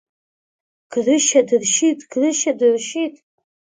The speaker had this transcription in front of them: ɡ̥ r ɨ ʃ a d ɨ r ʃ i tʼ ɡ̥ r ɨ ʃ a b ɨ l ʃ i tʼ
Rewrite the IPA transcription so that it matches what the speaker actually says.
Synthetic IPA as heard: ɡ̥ r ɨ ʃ a d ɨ r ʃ i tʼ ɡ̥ r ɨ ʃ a d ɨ r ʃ i tʼ

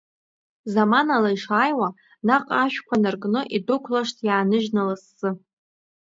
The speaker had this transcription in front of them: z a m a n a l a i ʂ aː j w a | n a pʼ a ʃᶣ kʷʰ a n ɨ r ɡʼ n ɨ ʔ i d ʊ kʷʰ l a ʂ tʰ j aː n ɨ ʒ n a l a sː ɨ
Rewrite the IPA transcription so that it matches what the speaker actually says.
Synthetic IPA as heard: z a m a n a l a i ʂ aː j w a | n a qʼ a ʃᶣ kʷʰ a n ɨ r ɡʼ n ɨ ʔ i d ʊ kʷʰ l a ʂ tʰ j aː n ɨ ʒ n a l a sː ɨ

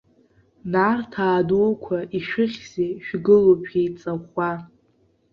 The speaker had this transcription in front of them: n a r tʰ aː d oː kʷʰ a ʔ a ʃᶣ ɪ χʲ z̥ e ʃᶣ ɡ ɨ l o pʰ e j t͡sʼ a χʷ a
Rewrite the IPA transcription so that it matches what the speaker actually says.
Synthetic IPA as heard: n a r tʰ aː d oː kʷʰ a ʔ i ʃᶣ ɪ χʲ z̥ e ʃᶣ ɡ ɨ l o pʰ e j t͡sʼ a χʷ a

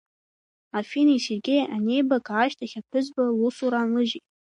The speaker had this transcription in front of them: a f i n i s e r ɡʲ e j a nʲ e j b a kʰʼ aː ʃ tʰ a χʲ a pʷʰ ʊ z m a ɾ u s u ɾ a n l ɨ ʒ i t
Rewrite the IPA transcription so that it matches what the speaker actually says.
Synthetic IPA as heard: a f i n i s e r ɡʲ e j a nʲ e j b a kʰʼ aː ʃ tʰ a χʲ a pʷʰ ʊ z b a l u s u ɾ a n l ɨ ʒ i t

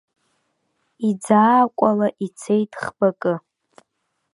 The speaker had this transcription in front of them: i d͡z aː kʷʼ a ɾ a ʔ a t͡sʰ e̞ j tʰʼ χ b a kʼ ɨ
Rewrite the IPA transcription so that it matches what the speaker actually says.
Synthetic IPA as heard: i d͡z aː kʷʼ a l a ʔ i t͡sʰ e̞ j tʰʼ χ b a kʼ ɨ

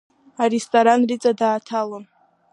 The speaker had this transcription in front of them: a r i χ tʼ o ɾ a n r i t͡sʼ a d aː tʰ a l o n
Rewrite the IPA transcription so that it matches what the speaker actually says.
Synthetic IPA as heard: a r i s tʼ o ɾ a n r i t͡sʼ a d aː tʰ a l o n

